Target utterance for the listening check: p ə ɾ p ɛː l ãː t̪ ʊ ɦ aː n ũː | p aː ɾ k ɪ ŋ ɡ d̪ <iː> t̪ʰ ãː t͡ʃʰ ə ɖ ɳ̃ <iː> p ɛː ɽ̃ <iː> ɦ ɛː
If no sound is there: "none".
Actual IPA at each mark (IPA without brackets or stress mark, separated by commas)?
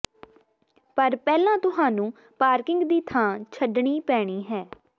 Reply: iː, iː, iː